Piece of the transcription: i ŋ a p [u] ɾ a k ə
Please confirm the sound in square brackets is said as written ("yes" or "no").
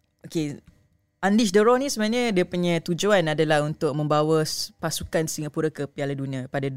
yes